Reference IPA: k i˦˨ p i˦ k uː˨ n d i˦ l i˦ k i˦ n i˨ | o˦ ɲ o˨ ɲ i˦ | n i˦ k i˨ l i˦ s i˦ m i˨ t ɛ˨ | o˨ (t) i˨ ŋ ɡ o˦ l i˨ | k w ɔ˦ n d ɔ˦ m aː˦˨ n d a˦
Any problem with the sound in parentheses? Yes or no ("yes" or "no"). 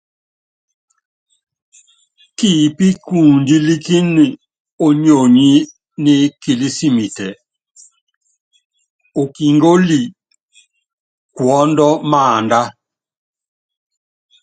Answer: yes